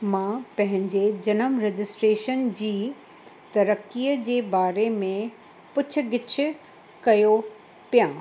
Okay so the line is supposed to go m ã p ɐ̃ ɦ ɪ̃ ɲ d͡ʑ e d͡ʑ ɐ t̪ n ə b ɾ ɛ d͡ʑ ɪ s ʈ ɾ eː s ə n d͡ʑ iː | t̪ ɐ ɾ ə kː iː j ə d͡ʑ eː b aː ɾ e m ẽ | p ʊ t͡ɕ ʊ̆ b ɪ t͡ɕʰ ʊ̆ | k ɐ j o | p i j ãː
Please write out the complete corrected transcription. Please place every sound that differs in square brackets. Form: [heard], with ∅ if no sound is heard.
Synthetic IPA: m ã p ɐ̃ ɦ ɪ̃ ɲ d͡ʑ e d͡ʑ ɐ [∅] n ə [m] ɾ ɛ d͡ʑ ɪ s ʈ ɾ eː [ʃ] ə n d͡ʑ iː | t̪ ɐ ɾ ə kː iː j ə d͡ʑ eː b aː ɾ e m ẽ | p ʊ [t͡ɕʰ] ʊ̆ [ɡ] ɪ t͡ɕʰ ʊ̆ | k ɐ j o | p i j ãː

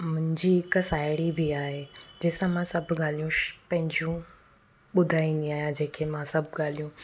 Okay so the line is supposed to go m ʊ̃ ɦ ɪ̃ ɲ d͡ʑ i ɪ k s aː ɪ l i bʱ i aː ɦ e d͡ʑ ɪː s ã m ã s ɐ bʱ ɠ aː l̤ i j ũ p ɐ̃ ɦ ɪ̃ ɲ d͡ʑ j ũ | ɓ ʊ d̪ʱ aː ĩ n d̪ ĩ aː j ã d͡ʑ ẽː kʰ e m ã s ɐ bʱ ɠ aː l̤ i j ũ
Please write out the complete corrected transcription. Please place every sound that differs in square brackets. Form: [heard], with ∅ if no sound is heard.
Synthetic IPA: m ʊ̃ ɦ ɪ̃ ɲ d͡ʑ i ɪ k s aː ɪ [ɽ] i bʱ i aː ɦ e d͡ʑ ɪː s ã m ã s ɐ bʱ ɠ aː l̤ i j ũ p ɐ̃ ɦ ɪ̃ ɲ d͡ʑ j ũ | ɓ ʊ d̪ʱ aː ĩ n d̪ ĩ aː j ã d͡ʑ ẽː kʰ e m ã s ɐ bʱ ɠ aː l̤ i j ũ

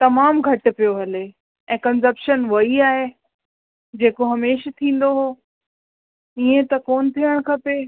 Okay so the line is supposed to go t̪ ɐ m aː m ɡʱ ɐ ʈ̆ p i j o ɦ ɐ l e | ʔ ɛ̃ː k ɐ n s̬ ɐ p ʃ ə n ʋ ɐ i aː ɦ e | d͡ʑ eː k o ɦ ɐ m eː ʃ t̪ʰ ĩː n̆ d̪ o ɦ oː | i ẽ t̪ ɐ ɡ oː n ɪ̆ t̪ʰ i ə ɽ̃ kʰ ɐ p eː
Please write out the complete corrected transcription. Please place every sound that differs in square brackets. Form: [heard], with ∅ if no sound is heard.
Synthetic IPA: t̪ ɐ m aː m ɡʱ ɐ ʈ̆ p i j o ɦ ɐ l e | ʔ ɛ̃ː k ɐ n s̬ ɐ p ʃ ə n ʋ ɐ i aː ɦ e | d͡ʑ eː k o ɦ ɐ m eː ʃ t̪ʰ ĩː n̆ d̪ o ɦ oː | i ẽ t̪ ɐ [k] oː n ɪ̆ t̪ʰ i ə ɽ̃ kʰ ɐ p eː

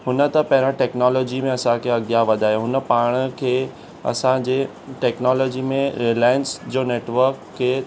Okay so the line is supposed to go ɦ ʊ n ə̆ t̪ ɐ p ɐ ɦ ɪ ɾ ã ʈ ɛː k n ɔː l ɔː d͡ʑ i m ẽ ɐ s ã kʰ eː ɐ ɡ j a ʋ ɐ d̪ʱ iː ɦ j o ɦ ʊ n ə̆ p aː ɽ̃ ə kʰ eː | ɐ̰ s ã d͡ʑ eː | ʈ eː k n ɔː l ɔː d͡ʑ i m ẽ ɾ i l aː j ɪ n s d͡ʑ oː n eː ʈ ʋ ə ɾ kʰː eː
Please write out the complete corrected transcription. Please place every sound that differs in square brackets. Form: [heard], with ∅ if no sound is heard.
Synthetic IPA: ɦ ʊ n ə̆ t̪ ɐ p ɐ ɦ ɪ ɾ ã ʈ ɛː k n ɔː l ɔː d͡ʑ i m ẽ ɐ s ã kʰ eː ɐ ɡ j a ʋ ɐ d̪ʱ [aː] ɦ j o ɦ ʊ n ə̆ p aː ɽ̃ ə kʰ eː | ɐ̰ s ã d͡ʑ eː | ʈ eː k n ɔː l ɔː d͡ʑ i m ẽ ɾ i l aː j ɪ n s d͡ʑ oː n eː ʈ ʋ ə ɾ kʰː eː

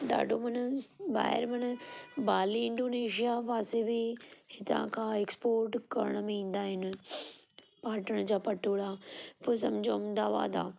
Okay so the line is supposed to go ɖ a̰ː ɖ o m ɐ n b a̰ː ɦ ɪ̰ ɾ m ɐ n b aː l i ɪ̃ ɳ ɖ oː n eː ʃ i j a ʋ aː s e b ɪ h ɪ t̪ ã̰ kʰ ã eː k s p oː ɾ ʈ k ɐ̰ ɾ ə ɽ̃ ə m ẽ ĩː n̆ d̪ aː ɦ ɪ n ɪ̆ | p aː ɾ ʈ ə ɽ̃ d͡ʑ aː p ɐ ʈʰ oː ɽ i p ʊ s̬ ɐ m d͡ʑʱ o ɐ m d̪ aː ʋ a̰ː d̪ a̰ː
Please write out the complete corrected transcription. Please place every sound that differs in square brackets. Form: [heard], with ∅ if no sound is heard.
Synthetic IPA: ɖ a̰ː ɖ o m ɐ n b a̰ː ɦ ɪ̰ ɾ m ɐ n b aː l i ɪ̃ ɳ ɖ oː n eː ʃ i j a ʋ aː s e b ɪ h ɪ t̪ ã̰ kʰ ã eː k s p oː ɾ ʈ k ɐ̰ ɾ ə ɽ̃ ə m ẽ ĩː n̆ d̪ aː ɦ ɪ n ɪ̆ | p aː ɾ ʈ ə ɽ̃ d͡ʑ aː p ɐ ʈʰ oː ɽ [a] p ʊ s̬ ɐ m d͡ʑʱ o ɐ m d̪ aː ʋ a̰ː d̪ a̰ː

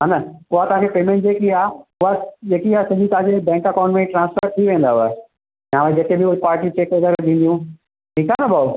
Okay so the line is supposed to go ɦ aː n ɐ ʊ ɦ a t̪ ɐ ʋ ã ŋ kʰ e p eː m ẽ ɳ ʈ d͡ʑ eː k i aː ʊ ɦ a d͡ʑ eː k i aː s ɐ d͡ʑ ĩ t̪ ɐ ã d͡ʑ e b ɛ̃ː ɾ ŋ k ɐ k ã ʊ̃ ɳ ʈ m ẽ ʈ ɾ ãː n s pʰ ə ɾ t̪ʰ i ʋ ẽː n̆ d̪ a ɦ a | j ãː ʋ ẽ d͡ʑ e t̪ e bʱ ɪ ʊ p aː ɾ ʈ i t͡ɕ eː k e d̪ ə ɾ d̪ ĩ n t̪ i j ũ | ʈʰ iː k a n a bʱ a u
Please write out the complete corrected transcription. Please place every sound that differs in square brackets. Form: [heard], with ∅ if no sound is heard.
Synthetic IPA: ɦ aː n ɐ ʊ ɦ a t̪ ɐ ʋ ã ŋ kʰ e p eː m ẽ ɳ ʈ d͡ʑ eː k i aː ʊ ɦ a d͡ʑ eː k i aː s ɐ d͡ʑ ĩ t̪ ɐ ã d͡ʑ e b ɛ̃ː [∅] ŋ k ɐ k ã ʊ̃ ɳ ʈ m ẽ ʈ ɾ ãː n s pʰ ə ɾ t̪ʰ i ʋ ẽː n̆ d̪ a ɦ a | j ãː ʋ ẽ d͡ʑ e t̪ e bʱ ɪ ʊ p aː ɾ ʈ i t͡ɕ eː k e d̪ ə ɾ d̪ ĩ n [d̪] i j ũ | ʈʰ iː k a n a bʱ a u

